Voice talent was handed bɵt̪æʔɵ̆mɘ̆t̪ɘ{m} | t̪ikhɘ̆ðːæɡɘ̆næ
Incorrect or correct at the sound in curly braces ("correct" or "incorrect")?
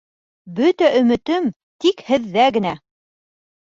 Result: correct